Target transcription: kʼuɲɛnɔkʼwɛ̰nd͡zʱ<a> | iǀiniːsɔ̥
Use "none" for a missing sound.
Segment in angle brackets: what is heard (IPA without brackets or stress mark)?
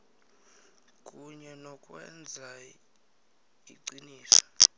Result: a